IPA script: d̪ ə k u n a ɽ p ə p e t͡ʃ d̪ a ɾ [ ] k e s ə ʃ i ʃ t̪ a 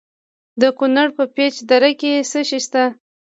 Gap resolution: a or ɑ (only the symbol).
a